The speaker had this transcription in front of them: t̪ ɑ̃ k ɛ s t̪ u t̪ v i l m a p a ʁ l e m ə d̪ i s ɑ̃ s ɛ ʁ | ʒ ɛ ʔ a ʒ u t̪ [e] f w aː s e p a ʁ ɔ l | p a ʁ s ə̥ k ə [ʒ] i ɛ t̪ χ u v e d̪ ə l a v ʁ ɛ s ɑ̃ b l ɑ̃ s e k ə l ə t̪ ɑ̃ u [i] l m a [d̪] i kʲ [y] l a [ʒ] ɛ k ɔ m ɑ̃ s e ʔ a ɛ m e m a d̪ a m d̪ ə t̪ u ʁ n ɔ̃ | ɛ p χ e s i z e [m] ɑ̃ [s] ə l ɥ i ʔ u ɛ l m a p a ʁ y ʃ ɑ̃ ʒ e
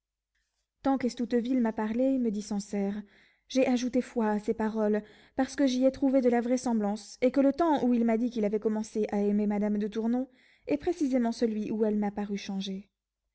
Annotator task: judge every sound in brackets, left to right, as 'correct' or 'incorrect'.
correct, correct, correct, correct, incorrect, incorrect, correct, correct

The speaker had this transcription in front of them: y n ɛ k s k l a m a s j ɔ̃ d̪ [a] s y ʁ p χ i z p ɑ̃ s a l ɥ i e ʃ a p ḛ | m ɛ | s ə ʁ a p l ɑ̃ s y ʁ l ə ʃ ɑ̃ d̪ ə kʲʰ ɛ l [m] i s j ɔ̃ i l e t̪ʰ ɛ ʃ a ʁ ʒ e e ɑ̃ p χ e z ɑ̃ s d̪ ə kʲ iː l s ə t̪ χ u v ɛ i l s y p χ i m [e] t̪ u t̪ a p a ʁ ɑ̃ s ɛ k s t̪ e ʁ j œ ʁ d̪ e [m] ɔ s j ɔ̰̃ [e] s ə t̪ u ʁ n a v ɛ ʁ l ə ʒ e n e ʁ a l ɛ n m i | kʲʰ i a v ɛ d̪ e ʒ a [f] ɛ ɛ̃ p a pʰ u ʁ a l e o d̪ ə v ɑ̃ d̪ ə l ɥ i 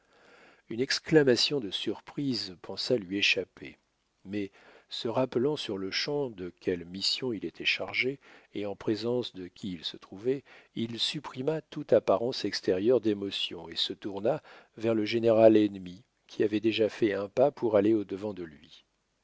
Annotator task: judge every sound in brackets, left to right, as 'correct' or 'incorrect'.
incorrect, correct, incorrect, correct, correct, correct

